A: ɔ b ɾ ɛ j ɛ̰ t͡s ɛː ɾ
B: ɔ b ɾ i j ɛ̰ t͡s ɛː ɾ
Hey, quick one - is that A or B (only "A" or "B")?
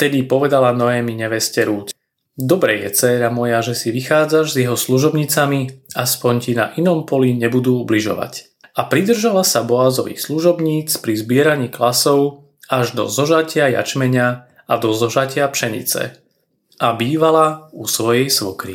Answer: A